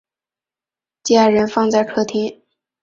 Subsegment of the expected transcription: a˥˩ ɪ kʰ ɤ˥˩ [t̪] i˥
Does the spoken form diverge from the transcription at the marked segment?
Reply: yes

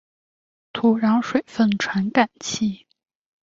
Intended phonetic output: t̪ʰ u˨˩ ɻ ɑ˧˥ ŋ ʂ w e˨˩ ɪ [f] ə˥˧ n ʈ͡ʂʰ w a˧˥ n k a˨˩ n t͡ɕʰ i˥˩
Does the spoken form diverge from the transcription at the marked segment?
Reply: no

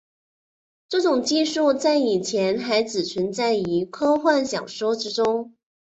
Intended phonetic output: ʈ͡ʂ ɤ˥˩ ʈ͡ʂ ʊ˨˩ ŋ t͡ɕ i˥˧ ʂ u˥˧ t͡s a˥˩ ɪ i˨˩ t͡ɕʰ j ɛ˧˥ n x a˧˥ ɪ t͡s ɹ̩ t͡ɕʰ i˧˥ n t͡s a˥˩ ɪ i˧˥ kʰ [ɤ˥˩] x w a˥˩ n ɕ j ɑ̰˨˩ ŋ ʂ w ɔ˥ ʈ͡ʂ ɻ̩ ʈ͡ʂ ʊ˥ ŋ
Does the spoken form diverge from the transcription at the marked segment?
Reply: yes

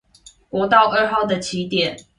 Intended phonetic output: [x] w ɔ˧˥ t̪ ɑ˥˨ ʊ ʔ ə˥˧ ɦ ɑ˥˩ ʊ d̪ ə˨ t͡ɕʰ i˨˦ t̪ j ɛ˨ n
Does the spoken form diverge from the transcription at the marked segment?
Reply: yes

